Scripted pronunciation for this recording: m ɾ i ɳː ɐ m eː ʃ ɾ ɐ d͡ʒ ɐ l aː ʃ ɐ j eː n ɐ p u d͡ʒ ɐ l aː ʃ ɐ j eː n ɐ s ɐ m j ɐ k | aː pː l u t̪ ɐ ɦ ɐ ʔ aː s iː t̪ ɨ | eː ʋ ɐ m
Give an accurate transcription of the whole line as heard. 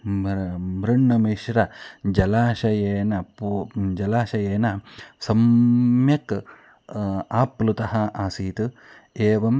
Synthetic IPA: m ɾ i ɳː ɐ m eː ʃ ɾ ɐ d͡ʒ ɐ l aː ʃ ɐ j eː n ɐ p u d͡ʒ ɐ l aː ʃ ɐ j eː n ɐ s ɐ m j ɐ k | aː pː l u t̪ ɐ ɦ ɐ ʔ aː s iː t̪ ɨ | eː ʋ ɐ m